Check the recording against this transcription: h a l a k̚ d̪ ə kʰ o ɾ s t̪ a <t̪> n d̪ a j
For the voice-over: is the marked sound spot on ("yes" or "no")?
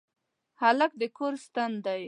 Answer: no